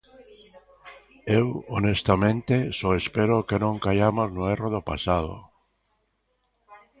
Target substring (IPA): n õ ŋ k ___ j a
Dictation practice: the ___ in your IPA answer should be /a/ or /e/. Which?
a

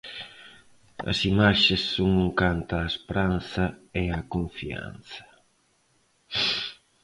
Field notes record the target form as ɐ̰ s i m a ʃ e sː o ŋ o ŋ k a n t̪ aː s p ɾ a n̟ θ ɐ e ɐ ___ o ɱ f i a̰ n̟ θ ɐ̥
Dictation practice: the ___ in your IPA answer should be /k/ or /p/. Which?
k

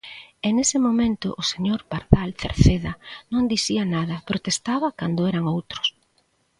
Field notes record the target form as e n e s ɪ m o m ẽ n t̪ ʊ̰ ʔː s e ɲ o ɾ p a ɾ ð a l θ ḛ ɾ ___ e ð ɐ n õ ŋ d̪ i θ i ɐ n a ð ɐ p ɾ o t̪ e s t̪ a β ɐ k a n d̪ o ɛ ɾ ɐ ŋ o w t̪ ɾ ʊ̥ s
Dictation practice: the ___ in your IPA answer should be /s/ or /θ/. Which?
θ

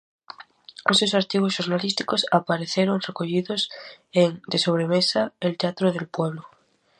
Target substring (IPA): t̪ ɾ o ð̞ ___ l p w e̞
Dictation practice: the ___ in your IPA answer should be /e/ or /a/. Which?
e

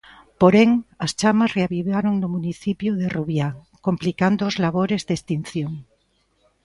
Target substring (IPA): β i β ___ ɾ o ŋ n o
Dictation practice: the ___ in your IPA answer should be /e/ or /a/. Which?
a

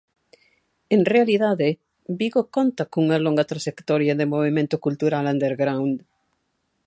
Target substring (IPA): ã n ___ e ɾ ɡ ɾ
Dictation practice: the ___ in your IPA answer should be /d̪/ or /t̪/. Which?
d̪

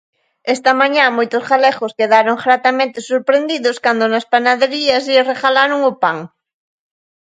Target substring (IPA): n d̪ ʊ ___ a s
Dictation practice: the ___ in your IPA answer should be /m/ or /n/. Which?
n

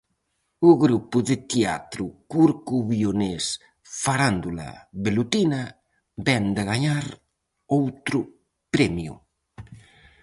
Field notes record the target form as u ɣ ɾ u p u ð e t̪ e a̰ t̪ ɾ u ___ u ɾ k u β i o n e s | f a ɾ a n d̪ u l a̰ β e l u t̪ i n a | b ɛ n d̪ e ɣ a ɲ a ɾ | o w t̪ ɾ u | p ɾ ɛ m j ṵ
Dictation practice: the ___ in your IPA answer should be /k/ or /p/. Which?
k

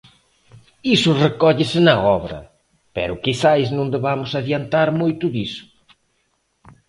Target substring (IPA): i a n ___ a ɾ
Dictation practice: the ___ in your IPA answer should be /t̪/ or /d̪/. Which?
t̪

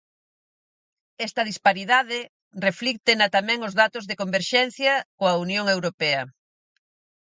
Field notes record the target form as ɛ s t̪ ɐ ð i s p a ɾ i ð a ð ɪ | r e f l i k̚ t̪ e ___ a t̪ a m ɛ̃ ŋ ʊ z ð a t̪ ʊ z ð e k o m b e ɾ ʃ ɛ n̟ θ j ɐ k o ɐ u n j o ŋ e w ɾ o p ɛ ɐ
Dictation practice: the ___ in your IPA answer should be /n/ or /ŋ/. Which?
n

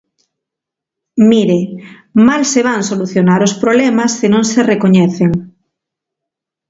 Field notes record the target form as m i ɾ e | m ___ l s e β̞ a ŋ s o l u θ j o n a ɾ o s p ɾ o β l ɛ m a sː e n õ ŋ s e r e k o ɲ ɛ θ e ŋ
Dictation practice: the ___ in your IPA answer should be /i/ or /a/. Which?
a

